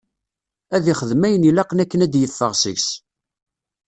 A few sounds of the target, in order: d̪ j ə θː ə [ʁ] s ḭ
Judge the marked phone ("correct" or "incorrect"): correct